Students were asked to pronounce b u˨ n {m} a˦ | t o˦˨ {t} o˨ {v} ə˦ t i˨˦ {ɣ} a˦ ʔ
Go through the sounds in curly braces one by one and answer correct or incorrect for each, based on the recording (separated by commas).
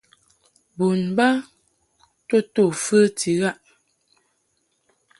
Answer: incorrect, correct, incorrect, correct